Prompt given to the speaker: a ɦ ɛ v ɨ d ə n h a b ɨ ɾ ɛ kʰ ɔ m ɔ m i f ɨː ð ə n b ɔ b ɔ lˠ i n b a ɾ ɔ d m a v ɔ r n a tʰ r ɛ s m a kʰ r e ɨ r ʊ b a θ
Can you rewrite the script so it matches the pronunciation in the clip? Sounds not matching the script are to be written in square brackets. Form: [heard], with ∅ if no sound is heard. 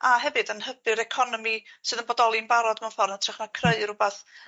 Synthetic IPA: a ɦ ɛ v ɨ d ə n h [ə] b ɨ ɾ ɛ kʰ ɔ [n] ɔ m i [s] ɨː ð ə n b ɔ [d] ɔ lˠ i n b a ɾ ɔ d m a [f] ɔ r n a tʰ r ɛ [χ] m a kʰ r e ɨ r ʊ b a θ